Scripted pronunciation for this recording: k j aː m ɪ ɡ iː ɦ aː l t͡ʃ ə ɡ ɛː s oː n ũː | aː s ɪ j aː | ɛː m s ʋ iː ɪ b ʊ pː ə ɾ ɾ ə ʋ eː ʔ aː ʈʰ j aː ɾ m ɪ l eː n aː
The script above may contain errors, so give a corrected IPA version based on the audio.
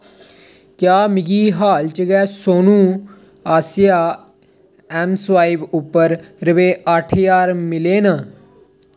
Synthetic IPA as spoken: k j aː m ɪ ɡ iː ɦ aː l t͡ʃ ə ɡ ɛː s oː n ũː | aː s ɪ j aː | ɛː m s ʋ aː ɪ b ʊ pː ə ɾ ɾ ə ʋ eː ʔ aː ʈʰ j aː ɾ m ɪ l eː n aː